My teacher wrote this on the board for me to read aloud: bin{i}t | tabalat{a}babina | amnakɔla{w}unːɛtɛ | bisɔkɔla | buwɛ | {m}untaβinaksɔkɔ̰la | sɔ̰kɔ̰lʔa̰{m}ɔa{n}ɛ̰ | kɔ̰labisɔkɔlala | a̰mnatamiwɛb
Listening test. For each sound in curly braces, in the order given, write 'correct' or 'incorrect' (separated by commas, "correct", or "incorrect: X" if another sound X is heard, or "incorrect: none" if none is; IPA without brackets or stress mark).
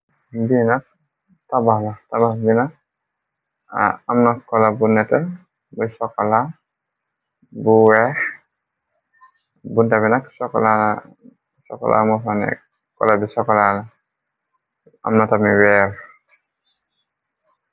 incorrect: a, correct, incorrect: b, incorrect: b, correct, correct